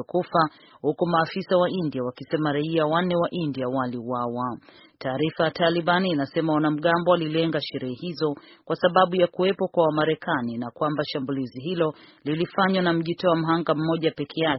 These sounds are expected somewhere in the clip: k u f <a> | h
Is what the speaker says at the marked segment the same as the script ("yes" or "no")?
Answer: yes